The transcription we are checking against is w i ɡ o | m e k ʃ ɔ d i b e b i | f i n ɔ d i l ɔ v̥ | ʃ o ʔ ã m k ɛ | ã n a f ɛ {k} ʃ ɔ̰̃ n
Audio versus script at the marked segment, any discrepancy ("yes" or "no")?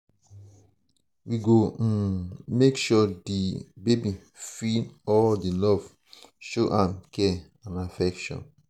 no